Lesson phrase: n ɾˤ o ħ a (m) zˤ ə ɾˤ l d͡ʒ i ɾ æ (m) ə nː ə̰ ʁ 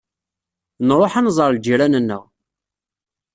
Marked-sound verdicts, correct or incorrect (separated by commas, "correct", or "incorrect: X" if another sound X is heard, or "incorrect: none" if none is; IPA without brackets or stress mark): incorrect: n, incorrect: n